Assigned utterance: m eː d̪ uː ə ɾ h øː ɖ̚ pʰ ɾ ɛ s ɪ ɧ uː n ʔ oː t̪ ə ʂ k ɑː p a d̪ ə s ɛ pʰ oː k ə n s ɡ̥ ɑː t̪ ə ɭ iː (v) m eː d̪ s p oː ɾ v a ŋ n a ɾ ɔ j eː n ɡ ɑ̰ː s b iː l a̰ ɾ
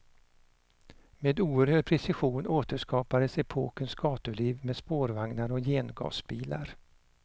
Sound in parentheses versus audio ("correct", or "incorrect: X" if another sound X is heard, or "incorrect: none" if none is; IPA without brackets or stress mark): correct